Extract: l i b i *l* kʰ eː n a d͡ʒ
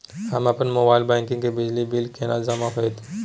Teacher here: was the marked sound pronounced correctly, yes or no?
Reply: yes